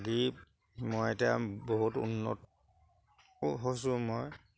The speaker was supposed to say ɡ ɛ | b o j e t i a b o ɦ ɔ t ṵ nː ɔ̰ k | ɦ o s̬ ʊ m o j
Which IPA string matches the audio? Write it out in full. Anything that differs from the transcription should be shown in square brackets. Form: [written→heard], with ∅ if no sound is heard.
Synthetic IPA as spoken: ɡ [ɛ→i] | [b→m] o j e t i a b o ɦ [ɔ→u] t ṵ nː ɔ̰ [k→t] | ɦ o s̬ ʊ m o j